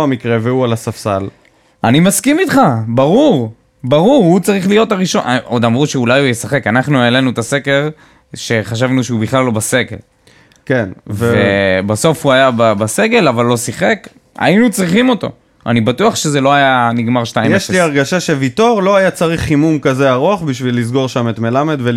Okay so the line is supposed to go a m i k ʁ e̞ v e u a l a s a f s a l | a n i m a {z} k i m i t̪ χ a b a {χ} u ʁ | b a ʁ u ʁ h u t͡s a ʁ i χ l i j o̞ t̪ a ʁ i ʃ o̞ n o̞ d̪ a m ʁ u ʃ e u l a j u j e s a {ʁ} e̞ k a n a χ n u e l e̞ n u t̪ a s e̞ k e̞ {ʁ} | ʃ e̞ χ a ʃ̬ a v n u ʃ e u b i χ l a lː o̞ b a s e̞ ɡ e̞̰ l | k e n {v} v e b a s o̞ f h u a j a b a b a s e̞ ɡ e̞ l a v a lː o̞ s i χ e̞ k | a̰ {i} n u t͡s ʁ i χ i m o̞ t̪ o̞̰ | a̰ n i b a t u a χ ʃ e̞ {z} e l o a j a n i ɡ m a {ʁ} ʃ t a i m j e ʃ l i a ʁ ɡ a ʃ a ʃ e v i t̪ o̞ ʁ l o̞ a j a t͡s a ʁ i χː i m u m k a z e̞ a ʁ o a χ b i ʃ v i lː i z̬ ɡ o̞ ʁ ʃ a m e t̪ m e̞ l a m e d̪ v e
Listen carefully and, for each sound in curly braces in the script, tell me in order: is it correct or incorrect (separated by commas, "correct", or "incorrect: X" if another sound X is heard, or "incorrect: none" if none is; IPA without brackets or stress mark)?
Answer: incorrect: s, incorrect: ʁ, incorrect: χ, correct, correct, correct, correct, correct